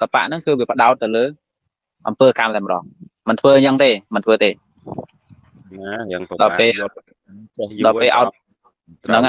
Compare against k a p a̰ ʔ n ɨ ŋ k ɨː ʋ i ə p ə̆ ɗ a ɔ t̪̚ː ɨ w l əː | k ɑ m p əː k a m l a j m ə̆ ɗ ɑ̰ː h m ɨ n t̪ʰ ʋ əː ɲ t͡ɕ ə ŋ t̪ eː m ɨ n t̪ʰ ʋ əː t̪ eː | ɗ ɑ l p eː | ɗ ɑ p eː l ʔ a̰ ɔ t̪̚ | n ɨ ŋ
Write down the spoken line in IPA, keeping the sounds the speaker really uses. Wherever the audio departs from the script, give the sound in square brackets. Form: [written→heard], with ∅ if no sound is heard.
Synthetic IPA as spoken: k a p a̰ ʔ n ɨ ŋ k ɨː ʋ i ə p ə̆ ɗ a ɔ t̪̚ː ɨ w l əː | [k→ʔ] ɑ m p əː k a m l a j m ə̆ ɗ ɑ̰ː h m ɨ n t̪ʰ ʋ əː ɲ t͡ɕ ə ŋ t̪ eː m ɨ n t̪ʰ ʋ əː t̪ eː | ɗ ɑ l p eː | ɗ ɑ p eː l ʔ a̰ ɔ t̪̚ | n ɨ ŋ